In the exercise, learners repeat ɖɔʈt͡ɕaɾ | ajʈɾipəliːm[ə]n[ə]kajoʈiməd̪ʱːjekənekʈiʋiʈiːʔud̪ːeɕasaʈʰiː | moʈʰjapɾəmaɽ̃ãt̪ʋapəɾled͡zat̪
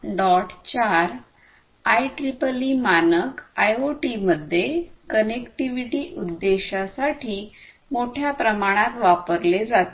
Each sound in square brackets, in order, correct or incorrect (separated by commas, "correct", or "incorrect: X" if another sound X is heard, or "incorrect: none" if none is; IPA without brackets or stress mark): incorrect: a, correct